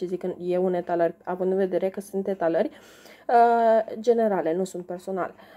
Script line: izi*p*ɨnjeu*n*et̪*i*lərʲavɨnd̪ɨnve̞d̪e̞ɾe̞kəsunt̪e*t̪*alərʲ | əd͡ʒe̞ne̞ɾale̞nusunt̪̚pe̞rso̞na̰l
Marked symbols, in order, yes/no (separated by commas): no, yes, no, yes